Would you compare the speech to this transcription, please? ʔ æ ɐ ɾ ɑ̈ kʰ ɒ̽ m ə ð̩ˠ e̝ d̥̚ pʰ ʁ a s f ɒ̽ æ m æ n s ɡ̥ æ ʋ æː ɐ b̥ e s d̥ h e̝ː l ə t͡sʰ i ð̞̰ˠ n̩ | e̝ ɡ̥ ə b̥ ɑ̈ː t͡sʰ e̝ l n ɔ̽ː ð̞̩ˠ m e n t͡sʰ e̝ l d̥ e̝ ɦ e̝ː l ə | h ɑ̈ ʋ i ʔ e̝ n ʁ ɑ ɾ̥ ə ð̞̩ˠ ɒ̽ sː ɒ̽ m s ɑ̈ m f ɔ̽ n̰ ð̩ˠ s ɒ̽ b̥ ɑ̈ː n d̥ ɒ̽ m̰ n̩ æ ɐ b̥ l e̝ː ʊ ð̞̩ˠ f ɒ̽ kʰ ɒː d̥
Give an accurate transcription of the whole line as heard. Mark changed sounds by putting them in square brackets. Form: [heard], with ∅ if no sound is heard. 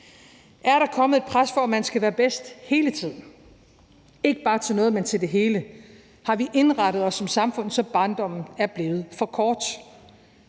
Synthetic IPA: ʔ æ ɐ ɾ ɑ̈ kʰ ɒ̽ m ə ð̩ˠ e̝ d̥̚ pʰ ʁ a s f ɒ̽ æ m æ n s ɡ̥ æ ʋ æː ɐ b̥ e s d̥ h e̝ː l ə t͡sʰ i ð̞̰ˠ n̩ | e̝ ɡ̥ ə b̥ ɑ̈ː t͡sʰ e̝ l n ɔ̽ː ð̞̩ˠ m e n t͡sʰ e̝ l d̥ e̝ ɦ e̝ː l ə | h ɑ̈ ʋ i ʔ e̝ n ʁ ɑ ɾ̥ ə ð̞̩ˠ ɒ̽ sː ɒ̽ m s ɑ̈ m f ɔ̽ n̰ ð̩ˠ s ɒ̽ b̥ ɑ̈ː n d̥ ɒ̽ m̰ n̩ æ ɐ b̥ l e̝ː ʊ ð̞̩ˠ f ɒ̽ kʰ ɒː d̥